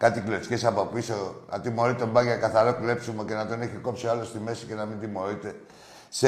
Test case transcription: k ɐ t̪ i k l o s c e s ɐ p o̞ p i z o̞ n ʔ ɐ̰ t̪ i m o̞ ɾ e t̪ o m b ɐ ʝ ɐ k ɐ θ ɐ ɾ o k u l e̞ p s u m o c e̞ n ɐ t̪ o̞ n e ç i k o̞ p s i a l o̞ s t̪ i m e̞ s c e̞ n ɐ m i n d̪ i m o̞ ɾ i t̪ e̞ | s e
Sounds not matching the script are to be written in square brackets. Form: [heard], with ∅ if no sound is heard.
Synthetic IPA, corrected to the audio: k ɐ t̪ i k l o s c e s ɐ p o̞ p i [s] o̞ n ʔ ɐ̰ t̪ i m o̞ ɾ [i] t̪ o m b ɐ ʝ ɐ k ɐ θ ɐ ɾ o k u l e̞ p s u m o c e̞ n ɐ t̪ o̞ n e ç i k o̞ p s i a l o̞ s t̪ i m e̞ s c e̞ n ɐ m i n d̪ i m o̞ ɾ i t̪ e̞ | s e